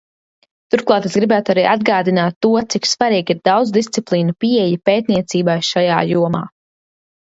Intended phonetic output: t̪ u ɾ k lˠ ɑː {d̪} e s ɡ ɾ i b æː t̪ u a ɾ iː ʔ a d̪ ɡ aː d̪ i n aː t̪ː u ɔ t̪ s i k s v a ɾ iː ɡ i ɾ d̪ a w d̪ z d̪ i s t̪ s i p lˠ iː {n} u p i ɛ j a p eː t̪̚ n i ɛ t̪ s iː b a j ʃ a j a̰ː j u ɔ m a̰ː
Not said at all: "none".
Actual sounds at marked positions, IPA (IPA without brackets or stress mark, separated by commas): t̪, n